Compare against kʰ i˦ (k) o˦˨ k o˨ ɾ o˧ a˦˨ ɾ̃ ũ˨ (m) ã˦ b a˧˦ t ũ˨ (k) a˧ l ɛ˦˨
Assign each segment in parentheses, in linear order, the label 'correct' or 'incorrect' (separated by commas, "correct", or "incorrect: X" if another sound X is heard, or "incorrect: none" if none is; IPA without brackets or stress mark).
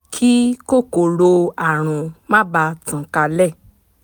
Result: correct, correct, correct